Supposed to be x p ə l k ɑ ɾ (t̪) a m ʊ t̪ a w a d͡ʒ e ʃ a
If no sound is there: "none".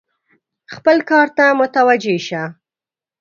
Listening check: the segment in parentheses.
t̪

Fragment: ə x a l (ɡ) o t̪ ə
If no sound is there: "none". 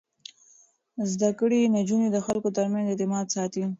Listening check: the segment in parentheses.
k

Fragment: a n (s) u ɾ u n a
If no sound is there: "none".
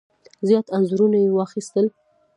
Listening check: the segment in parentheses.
z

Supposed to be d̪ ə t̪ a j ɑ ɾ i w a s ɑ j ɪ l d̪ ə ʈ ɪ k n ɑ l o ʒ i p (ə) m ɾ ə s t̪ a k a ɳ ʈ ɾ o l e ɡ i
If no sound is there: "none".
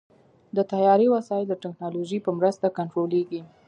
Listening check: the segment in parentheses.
ə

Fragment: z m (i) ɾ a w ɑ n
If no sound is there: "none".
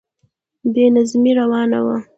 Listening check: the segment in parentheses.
i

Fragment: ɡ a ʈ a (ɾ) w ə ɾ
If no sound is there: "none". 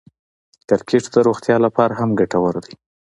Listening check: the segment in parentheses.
none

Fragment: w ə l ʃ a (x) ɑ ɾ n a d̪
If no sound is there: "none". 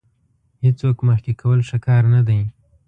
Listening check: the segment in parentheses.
k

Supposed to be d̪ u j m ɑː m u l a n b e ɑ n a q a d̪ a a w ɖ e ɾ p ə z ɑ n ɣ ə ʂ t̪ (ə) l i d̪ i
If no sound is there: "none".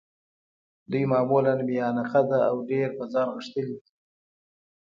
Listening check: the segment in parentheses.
ə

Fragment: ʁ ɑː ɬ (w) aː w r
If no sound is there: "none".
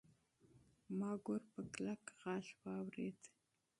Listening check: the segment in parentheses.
w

